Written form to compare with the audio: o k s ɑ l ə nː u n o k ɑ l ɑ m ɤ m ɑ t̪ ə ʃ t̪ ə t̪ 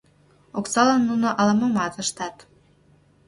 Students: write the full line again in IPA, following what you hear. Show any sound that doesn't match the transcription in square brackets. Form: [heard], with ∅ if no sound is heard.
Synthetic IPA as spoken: o k s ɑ l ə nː u n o [ʔ] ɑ l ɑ m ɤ m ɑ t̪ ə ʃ t̪ [ɑ] t̪